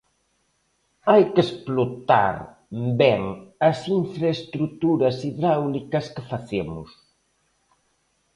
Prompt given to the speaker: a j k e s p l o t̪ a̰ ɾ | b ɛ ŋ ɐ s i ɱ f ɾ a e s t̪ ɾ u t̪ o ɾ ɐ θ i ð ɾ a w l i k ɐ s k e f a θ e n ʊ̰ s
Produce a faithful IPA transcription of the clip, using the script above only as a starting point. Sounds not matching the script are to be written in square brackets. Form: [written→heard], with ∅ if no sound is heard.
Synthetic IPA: a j k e s p l o t̪ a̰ ɾ | b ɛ ŋ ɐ s i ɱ f ɾ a e s t̪ ɾ u t̪ [o→u] ɾ ɐ [θ→s] i ð ɾ a w l i k ɐ s k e f a θ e [n→m] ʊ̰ s

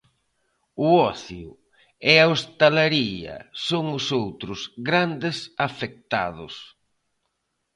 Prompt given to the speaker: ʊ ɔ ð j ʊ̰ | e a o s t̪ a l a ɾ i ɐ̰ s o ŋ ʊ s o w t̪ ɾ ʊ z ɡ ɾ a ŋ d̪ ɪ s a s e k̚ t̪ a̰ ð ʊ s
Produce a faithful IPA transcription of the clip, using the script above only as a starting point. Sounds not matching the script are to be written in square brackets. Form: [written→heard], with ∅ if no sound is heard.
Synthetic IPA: ʊ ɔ [ð→θ] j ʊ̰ | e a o s t̪ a l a ɾ i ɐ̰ s o ŋ ʊ s o w t̪ ɾ ʊ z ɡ ɾ a [ŋ→n] d̪ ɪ s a [s→f] e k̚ t̪ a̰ ð ʊ s

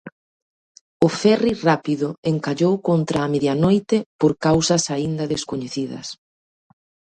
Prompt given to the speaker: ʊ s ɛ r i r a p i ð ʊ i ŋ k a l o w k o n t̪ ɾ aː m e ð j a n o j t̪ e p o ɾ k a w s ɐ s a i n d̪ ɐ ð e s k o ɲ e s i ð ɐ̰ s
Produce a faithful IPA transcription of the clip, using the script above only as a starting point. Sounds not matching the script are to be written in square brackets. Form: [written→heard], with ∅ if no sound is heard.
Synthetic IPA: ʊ [s→f] ɛ r i r a p i ð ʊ [i→e] ŋ k a [l→ʎ] o w k o n t̪ ɾ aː m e ð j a n o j t̪ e p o ɾ k a w s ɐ s a i n d̪ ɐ ð e s k o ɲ e [s→θ] i ð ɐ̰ s

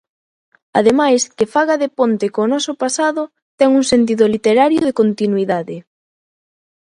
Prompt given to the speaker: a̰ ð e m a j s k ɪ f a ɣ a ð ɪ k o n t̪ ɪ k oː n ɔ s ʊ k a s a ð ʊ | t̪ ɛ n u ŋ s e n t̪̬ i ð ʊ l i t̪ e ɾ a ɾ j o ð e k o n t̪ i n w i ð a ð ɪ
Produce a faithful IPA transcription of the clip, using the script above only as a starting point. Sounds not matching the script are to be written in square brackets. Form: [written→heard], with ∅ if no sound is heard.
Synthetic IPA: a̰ ð e m a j s k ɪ f a ɣ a ð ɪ [k→p] o n t̪ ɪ k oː n ɔ s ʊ [k→p] a s a ð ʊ | t̪ ɛ [n→ŋ] u ŋ s e n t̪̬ i ð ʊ l i t̪ e ɾ a ɾ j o ð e k o n t̪ i n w i ð a ð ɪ

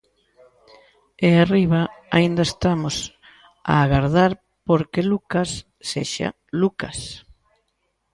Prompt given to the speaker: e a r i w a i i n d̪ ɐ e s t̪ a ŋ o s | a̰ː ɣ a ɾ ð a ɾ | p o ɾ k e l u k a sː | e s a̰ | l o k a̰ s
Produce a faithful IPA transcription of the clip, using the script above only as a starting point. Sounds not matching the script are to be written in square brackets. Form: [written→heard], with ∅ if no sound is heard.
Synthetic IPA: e a r i [w→β] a [i→a] i n d̪ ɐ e s t̪ a [ŋ→m] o s | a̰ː ɣ a ɾ ð a ɾ | p o ɾ k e l u k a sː | e [s→ʃ] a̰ | l [o→u] k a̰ s

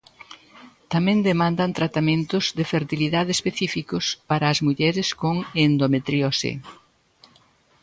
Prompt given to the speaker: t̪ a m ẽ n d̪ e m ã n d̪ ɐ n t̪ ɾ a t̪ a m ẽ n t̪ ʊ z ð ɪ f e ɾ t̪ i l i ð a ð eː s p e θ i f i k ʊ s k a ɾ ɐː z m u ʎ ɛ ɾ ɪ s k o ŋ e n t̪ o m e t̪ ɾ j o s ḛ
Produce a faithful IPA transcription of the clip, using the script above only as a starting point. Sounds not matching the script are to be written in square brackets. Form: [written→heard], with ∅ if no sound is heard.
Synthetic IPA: t̪ a m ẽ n d̪ e m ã n d̪ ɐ n t̪ ɾ a t̪ a m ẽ n t̪ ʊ z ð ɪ f e ɾ t̪ i l i ð a ð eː s p e θ i f i k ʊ s [k→p] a ɾ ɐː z m u ʎ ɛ ɾ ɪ s k o ŋ e n [t̪→d̪] o m e t̪ ɾ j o s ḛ

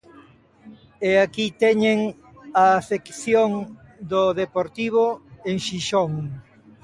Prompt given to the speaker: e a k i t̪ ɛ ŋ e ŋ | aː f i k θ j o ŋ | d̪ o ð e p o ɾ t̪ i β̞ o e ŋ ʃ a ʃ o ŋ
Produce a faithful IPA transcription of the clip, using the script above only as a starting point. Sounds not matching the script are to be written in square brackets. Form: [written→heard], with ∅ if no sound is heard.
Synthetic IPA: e a k i t̪ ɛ [ŋ→ɲ] e ŋ | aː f [i→e] k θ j o ŋ | d̪ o ð e p o ɾ t̪ i β̞ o e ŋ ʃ [a→i] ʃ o ŋ

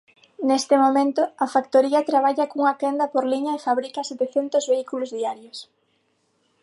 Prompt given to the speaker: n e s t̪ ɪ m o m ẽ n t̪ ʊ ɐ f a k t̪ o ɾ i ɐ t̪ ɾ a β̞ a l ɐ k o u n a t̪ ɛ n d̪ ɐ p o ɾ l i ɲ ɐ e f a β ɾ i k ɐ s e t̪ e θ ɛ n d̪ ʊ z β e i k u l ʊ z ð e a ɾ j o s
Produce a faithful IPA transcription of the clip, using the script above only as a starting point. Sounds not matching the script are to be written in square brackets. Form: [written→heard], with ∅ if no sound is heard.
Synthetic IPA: n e s t̪ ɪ m o m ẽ n t̪ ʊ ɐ f a k t̪ o ɾ i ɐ t̪ ɾ a β̞ a [l→ʎ] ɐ k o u [n→ŋ] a t̪ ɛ n d̪ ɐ p o ɾ l i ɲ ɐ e f a β ɾ i k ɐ s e t̪ e θ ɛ n [d̪→t̪] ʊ z β e i k u l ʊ z ð [e→i] a ɾ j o s

